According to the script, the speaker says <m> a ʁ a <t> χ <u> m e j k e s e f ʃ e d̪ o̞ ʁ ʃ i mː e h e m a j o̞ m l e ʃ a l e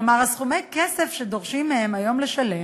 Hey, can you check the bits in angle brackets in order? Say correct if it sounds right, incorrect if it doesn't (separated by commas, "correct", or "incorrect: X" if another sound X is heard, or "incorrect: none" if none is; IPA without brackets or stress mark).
correct, incorrect: s, correct